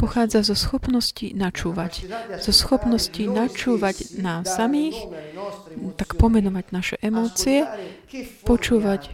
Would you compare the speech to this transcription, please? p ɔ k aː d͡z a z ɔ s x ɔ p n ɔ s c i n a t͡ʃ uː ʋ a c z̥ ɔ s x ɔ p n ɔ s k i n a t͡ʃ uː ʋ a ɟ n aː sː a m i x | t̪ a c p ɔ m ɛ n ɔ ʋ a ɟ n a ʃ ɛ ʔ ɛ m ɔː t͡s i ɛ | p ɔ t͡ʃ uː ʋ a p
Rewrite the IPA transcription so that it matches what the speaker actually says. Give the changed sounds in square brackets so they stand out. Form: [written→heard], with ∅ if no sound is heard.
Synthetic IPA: p ɔ [k→x] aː d͡z a z ɔ s x ɔ p n ɔ s c i n a t͡ʃ uː ʋ a c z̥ ɔ s x ɔ p n ɔ s [k→c] i n a t͡ʃ uː ʋ a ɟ n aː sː a m [i→iː] x | t̪ a [c→k] p ɔ m ɛ n ɔ ʋ a ɟ n a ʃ ɛ ʔ ɛ m ɔː t͡s i ɛ | p ɔ t͡ʃ uː ʋ a [p→c]